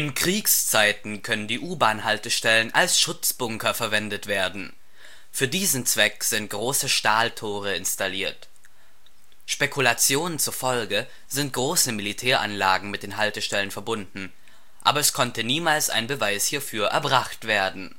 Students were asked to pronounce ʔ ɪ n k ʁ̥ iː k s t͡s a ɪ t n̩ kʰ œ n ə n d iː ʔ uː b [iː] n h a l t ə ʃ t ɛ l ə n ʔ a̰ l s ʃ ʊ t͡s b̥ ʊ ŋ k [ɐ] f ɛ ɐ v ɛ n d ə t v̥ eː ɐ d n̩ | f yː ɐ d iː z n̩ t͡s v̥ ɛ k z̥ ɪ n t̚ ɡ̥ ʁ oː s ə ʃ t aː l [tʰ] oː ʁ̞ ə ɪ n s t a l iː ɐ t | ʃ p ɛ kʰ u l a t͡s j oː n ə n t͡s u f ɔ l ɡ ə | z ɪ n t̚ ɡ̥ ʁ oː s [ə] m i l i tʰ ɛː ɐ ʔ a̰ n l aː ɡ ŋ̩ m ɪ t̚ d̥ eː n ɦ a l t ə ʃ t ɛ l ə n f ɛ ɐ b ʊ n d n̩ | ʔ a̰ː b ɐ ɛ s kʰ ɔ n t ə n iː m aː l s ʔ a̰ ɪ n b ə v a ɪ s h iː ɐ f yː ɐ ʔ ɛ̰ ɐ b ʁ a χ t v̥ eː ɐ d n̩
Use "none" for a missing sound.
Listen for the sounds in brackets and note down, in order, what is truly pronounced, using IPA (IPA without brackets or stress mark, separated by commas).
aː, ɐ, tʰ, ə